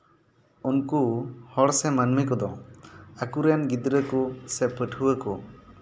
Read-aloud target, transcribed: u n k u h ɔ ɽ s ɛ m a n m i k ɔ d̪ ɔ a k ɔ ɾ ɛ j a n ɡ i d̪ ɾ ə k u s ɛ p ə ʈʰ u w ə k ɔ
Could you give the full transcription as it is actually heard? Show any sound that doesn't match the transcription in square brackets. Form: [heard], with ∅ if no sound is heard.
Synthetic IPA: u n k u h ɔ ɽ s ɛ m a n m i k ɔ d̪ ɔ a k [u] ɾ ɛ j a n ɡ i d̪ ɾ ə k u s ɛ p ə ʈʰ u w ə k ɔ